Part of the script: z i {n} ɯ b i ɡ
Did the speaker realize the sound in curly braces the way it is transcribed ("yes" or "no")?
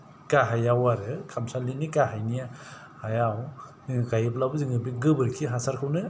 no